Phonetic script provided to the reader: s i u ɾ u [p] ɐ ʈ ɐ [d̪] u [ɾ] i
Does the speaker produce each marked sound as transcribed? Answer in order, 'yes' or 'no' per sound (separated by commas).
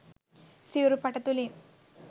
yes, no, no